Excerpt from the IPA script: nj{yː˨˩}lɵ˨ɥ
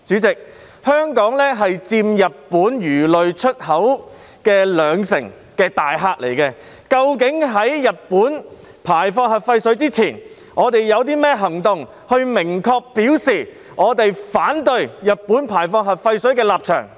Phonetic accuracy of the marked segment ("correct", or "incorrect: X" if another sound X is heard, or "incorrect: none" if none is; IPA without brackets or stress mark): correct